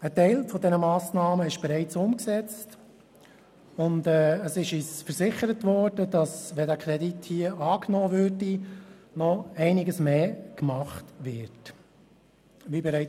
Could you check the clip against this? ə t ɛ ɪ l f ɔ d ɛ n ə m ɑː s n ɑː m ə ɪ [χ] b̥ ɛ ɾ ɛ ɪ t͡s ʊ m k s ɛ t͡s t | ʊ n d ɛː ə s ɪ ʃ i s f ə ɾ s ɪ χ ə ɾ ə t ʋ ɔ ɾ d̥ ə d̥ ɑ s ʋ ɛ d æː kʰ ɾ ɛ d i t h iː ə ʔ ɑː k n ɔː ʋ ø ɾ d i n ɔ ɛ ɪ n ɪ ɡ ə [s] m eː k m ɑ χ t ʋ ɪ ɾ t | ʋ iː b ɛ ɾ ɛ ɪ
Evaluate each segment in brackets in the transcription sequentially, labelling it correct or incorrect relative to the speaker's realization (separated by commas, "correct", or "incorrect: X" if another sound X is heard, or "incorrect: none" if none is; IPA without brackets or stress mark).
incorrect: ʃ, correct